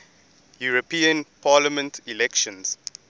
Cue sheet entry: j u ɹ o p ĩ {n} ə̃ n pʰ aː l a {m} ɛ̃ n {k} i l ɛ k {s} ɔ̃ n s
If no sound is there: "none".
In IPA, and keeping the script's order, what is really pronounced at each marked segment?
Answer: none, m, t, ʃ

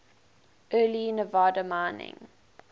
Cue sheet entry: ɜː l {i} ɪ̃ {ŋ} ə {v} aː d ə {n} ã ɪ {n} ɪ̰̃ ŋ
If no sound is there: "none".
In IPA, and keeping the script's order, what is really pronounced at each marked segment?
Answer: i, n, v, m, n

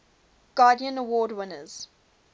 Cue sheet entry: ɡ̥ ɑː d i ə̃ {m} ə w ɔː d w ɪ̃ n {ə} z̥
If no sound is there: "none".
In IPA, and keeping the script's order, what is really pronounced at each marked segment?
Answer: n, ə

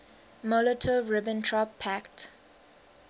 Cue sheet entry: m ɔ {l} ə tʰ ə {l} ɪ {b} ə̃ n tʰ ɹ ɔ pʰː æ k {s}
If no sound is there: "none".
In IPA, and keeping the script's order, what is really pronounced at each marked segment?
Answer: l, ɹ, b, t

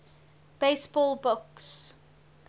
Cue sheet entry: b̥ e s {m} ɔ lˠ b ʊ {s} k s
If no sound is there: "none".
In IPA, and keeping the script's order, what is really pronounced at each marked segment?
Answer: b, none

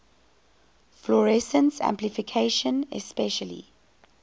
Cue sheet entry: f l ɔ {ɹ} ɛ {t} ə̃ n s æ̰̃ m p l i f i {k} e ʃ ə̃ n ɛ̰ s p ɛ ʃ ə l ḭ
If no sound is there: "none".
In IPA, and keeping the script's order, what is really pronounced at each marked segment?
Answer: ɹ, s, kʰ

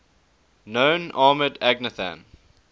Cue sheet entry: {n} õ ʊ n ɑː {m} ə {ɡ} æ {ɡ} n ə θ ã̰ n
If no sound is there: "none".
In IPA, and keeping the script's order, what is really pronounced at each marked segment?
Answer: n, m, d, ɡ

